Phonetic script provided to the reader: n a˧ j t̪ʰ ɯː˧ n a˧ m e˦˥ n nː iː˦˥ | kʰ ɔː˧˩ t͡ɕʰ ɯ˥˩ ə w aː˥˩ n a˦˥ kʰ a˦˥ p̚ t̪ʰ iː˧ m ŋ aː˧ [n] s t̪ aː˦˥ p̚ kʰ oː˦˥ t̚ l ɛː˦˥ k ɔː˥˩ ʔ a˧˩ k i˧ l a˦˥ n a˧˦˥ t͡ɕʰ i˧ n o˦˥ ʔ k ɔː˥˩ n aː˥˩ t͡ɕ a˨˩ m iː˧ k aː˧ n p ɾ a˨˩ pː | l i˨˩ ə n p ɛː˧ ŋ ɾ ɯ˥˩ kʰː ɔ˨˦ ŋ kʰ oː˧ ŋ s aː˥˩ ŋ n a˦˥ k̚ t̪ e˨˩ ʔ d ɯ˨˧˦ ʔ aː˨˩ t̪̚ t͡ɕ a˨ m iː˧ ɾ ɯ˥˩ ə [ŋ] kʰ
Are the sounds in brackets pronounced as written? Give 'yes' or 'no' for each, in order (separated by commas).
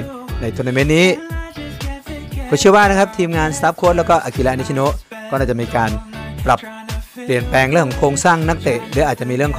yes, yes